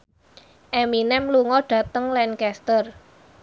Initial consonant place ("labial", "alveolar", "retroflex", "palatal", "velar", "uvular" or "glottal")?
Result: glottal